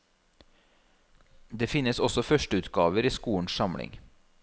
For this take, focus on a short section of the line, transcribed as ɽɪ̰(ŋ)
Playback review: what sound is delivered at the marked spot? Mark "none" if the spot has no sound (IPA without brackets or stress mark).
ŋ